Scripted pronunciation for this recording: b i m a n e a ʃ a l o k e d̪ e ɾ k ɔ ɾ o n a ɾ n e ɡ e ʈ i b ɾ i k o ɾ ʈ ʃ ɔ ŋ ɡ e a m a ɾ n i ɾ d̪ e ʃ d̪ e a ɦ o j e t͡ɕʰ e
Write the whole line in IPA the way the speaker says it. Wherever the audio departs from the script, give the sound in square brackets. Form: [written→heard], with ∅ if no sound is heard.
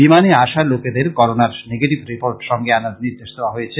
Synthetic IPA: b i m a n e a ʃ a l o k e d̪ e ɾ k ɔ ɾ o n a ɾ n e ɡ e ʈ i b ɾ i [k→p] o ɾ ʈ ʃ ɔ ŋ ɡ e a [m→n] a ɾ n i ɾ d̪ e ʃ d̪ e a ɦ o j e t͡ɕʰ e